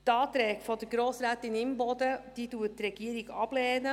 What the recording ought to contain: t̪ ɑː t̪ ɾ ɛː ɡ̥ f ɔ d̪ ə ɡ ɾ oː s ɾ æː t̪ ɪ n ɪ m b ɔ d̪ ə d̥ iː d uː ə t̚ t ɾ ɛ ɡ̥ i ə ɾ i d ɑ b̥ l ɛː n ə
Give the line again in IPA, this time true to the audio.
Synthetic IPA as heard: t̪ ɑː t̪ ɾ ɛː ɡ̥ f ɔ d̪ ə ɡ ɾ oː s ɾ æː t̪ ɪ n ɪ m b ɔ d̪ ə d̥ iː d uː ə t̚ t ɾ ɛ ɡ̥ i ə ɾ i ɡ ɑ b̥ l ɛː n ə